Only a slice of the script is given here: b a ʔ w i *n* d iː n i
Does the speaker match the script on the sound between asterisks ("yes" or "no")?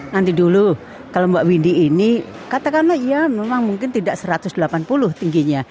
yes